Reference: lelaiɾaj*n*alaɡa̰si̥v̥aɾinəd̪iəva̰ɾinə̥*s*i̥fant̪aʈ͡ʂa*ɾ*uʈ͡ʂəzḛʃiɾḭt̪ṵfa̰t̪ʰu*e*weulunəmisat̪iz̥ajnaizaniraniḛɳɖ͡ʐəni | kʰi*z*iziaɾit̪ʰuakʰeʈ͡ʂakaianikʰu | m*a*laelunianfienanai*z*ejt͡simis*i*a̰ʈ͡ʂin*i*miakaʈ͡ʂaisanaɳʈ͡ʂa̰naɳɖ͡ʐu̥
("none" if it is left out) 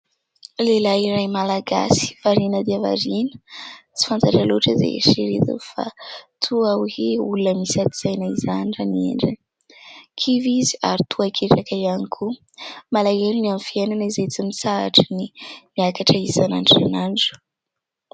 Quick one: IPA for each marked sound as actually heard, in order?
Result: m, t͡s, l, a, v, a, z, a, i

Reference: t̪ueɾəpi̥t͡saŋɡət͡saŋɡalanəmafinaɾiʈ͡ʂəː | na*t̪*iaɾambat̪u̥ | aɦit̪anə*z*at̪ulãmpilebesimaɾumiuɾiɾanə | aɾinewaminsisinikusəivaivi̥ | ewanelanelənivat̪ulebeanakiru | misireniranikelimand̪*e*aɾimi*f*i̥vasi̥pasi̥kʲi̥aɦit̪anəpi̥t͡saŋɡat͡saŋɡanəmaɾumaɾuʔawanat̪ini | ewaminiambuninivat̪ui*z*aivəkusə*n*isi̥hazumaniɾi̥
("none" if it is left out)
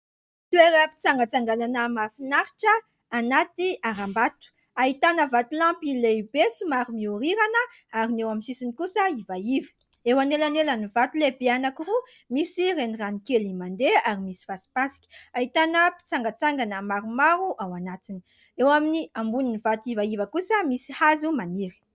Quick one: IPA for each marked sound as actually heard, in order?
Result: t̪, v, e, s, v, m

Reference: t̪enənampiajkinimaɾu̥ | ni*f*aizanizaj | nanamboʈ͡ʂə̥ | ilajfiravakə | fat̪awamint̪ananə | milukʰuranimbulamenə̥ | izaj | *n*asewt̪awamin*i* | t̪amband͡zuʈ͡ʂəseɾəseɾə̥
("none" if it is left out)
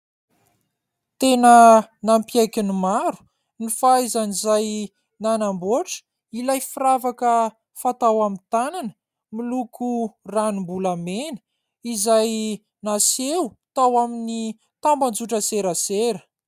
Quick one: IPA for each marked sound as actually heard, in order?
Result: f, n, i

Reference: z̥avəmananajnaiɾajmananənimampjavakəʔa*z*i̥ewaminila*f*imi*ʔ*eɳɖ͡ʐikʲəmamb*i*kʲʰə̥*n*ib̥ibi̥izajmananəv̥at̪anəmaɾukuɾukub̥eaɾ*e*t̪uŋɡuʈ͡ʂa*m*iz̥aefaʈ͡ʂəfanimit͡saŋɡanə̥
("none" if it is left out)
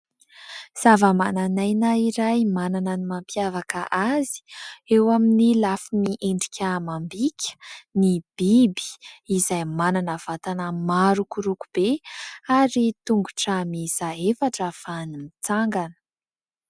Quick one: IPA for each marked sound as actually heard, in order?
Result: z, f, ʔ, i, n, i, m

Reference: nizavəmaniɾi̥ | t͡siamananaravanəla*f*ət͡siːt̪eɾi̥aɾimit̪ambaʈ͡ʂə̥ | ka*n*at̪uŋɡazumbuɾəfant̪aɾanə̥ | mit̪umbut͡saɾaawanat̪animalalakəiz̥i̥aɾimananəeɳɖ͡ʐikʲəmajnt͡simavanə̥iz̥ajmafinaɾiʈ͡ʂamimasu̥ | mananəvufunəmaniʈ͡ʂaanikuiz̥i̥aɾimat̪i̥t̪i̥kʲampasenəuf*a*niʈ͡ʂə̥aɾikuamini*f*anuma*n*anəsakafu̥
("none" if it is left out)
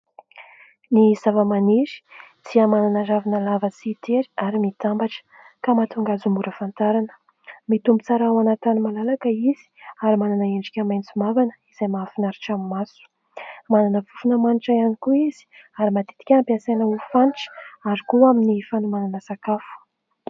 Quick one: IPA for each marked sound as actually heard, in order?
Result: v, m, a, f, n

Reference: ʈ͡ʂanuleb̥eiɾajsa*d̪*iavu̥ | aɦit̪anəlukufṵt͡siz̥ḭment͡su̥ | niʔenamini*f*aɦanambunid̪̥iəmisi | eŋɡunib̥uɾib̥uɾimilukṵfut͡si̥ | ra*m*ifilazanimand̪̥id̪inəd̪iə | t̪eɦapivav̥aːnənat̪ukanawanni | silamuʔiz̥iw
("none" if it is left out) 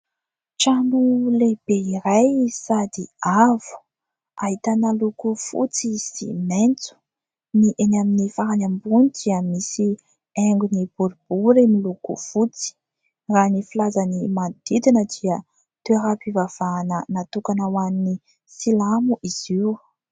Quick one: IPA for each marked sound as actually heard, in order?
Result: d̪, f, n

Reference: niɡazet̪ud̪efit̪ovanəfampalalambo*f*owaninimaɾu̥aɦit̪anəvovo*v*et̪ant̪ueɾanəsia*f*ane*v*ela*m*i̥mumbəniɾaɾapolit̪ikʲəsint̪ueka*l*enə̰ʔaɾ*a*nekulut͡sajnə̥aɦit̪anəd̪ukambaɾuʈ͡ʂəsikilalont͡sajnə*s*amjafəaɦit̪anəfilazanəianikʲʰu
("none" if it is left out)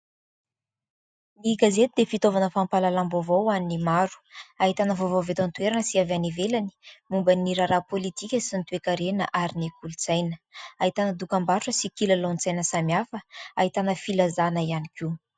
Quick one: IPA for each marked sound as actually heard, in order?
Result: v, v, v, v, n, ɾ, i, s

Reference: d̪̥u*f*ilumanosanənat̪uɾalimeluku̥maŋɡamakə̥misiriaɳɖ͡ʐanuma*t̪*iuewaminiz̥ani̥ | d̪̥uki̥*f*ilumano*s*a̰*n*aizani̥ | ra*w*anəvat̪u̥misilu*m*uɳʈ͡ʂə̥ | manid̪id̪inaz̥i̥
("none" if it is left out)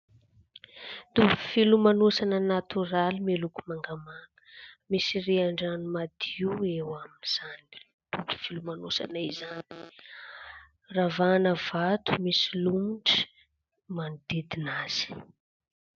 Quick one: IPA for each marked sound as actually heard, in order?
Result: f, d̪, f, s, n, v, m

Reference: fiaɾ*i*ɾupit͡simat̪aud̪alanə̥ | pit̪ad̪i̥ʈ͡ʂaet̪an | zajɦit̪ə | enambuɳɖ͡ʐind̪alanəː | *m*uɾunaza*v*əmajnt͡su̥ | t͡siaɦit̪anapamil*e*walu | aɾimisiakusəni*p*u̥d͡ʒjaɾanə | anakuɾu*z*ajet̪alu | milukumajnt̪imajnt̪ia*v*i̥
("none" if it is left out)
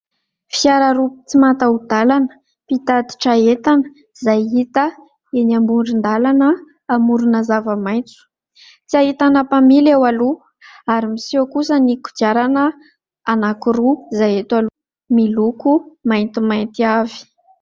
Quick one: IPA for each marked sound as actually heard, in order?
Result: a, m, v, e, k, z, v

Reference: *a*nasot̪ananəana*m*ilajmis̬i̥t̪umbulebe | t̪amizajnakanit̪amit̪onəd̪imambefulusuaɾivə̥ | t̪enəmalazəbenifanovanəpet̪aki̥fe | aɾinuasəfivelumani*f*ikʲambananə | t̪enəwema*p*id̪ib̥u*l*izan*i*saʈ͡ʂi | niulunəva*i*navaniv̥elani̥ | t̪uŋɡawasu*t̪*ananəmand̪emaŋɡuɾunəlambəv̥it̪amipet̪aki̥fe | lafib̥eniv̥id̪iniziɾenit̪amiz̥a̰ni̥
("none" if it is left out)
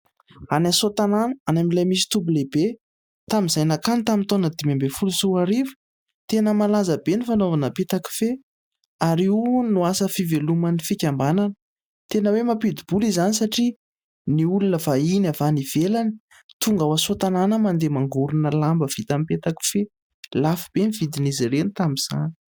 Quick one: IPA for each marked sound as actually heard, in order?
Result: a, m, f, p, l, i, i, t̪

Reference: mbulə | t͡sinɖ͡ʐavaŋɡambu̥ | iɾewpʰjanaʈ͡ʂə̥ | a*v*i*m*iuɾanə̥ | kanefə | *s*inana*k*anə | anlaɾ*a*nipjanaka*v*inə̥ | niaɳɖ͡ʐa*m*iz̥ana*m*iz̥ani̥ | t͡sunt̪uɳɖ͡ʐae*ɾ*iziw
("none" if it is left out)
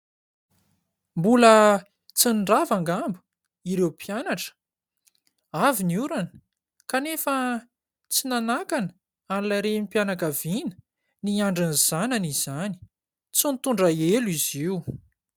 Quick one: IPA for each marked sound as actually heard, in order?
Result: v, n, t͡s, k, e, v, n, n, l

